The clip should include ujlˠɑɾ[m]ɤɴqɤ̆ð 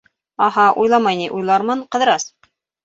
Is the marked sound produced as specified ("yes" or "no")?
yes